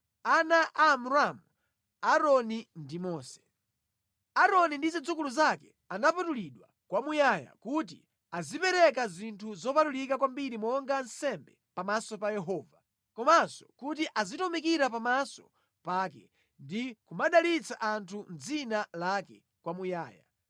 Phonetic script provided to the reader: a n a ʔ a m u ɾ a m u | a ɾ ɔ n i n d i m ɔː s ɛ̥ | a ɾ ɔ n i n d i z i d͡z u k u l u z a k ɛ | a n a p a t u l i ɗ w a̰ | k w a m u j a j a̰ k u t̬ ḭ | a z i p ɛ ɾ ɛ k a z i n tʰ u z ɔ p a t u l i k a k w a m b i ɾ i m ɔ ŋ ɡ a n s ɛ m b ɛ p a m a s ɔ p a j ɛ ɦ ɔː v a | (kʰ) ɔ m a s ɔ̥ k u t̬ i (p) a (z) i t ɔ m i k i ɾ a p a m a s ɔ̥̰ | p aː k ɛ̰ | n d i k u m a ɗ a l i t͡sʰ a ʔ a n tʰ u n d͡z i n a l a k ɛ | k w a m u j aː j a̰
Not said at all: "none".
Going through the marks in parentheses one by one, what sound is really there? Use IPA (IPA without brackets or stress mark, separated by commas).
k, ʔ, z